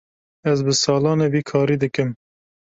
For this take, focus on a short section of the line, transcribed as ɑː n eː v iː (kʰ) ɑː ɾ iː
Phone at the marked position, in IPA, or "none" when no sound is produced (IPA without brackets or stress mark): kʰ